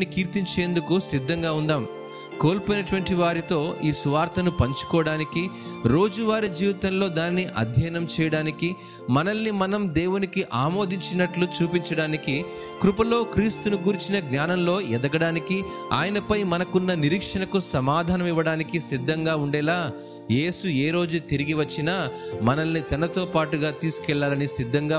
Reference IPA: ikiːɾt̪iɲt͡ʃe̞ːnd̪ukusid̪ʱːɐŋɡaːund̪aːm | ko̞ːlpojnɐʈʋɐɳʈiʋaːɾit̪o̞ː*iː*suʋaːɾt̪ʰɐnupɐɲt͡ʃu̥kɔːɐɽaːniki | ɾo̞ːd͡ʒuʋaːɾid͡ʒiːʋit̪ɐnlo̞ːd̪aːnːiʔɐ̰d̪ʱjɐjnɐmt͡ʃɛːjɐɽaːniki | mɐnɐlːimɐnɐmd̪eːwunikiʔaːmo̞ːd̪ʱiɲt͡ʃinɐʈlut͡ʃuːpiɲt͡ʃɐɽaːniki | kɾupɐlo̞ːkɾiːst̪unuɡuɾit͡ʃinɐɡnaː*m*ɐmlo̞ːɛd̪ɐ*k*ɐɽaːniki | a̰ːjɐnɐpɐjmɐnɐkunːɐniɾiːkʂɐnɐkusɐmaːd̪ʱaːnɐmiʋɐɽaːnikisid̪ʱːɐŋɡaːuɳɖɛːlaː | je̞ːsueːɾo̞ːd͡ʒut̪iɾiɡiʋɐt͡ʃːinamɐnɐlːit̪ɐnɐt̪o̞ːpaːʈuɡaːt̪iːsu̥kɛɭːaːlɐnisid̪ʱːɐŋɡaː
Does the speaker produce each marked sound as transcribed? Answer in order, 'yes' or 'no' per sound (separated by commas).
yes, no, no